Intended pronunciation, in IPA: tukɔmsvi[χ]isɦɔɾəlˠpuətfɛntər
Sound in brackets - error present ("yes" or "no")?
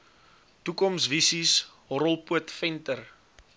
yes